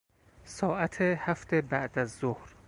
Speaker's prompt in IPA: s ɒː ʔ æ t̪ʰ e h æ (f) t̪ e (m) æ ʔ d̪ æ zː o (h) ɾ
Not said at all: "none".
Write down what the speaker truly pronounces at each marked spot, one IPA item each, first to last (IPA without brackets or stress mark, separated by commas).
f, b, h